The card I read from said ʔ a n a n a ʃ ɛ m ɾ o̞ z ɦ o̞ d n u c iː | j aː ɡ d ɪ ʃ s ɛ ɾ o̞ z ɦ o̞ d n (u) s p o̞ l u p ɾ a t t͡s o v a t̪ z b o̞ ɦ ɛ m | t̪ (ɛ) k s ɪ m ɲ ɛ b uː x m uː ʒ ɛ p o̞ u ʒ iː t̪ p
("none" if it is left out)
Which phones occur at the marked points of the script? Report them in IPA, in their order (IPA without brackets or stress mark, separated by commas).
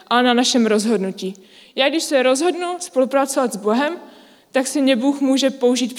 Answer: u, a